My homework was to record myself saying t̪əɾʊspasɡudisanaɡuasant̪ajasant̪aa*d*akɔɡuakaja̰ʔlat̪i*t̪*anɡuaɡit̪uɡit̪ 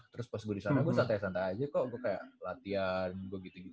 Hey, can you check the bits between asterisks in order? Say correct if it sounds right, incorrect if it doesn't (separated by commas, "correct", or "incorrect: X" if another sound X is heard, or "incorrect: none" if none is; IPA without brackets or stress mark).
incorrect: d͡ʒ, incorrect: none